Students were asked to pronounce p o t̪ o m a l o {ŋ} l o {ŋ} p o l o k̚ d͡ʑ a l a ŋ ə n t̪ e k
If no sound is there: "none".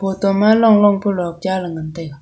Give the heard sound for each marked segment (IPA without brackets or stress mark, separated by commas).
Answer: ŋ, ŋ